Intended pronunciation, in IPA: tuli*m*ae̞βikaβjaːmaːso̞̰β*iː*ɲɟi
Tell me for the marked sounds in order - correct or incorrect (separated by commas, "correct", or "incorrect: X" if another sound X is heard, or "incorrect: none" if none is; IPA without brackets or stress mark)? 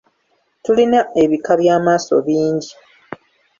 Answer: incorrect: n, correct